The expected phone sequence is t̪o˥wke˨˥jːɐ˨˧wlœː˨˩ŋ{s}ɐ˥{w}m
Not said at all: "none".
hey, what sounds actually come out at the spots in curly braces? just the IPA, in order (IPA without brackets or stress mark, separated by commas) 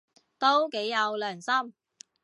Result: s, none